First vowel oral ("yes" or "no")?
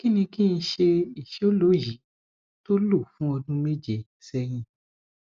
yes